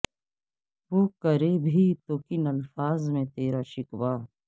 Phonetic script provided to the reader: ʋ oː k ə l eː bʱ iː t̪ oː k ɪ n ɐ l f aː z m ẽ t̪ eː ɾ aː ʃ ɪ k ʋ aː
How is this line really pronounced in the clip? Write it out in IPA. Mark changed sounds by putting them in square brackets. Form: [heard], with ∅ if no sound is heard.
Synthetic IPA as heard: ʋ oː k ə [ɾ] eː bʱ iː t̪ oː k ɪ n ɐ l f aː z m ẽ t̪ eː ɾ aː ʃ ɪ k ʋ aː

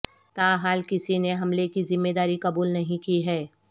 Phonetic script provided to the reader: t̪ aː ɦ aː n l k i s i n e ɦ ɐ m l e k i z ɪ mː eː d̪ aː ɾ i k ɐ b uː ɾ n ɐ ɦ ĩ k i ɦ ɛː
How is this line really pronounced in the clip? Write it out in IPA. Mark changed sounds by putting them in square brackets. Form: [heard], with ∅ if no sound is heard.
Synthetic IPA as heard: t̪ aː ɦ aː [∅] l k [ɪ] s i n e ɦ ɐ m l e k i z ɪ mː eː d̪ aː ɾ i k ɐ b uː [l] n ɐ ɦ ĩ k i ɦ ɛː

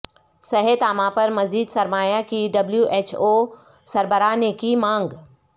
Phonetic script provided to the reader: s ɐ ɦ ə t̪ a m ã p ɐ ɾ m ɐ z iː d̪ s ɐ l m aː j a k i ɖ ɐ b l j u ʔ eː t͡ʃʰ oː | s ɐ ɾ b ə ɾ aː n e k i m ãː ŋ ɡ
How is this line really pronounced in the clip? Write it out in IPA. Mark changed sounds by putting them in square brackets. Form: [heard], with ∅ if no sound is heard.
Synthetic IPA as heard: s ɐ ɦ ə t̪ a m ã p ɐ ɾ m ɐ z iː d̪ s ɐ [ɾ] m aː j a k i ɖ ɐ b l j u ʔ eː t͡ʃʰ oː | s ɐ ɾ b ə ɾ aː n e k i m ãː ŋ ɡ

